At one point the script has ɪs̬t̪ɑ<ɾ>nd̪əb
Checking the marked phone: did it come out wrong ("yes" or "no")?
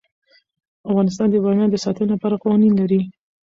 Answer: yes